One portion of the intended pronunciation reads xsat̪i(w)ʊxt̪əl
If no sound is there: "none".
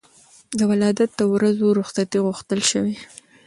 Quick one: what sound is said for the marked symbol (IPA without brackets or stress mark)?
ɣ